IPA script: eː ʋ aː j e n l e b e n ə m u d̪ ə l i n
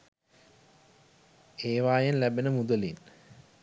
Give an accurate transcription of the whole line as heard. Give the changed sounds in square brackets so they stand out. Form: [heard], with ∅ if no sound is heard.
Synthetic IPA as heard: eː ʋ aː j e n l [æ] b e n ə m u d̪ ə l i n